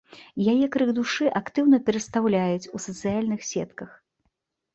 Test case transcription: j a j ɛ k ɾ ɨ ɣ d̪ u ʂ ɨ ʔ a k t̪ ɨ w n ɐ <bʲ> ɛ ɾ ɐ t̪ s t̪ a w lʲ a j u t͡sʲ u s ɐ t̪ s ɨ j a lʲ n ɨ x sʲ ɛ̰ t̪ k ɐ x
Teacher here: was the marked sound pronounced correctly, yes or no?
no